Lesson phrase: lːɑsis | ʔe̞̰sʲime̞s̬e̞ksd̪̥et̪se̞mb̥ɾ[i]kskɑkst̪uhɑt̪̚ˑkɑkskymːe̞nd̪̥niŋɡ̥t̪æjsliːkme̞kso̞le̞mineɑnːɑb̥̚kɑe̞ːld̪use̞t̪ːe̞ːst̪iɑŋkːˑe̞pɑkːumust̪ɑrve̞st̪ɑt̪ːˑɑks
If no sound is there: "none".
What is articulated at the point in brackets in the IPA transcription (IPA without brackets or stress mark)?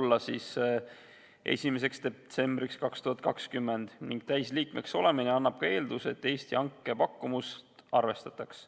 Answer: i